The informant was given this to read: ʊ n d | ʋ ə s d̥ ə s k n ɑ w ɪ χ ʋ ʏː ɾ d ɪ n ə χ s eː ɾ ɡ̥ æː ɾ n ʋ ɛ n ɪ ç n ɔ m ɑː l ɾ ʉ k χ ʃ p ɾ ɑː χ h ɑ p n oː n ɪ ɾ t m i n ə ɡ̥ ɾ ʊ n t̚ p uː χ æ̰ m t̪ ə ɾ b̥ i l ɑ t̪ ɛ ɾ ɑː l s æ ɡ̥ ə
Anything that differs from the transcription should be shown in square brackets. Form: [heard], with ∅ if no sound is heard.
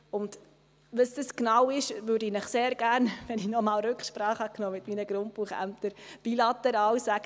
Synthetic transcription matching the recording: ʊ n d | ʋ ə s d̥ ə s k n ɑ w ɪ [ʃ] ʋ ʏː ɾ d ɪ n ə χ s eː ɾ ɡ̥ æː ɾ n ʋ ɛ n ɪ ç n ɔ m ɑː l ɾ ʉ k χ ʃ p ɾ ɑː χ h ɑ [k] n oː [m] ɪ [∅] t m i n ə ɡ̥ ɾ ʊ n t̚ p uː χ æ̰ m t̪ ə ɾ b̥ i l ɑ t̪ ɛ ɾ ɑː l s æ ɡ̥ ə